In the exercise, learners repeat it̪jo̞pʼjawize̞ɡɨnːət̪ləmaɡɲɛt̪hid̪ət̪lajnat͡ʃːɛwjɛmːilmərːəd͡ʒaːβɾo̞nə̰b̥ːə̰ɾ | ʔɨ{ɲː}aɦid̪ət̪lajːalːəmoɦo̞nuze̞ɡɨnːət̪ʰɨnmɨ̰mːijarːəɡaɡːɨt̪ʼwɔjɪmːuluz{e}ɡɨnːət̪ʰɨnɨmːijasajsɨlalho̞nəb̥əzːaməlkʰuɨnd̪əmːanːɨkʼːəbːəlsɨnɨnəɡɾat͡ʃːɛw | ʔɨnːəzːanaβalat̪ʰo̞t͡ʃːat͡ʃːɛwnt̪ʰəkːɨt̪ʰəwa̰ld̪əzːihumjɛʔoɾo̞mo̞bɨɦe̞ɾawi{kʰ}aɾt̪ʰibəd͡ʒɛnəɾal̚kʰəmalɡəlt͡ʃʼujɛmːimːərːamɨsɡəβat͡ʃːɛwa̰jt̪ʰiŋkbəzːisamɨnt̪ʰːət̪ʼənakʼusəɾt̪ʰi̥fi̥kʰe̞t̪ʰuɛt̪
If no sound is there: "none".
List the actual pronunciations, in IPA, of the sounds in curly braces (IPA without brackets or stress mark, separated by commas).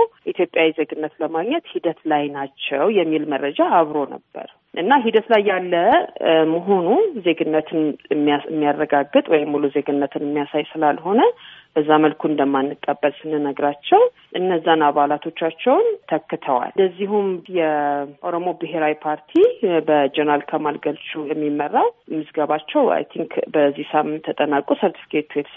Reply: nː, e, pʰ